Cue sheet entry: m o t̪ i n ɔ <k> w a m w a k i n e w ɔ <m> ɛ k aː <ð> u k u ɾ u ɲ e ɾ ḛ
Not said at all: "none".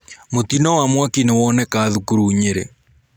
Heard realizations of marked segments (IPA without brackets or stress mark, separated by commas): none, n, ð